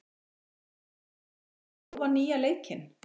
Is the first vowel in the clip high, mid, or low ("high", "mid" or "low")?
low